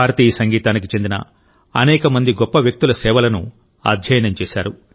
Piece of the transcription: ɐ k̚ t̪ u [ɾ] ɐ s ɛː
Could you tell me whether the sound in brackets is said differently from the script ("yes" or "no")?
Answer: yes